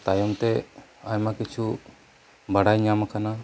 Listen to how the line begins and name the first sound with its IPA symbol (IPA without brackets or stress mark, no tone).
t̪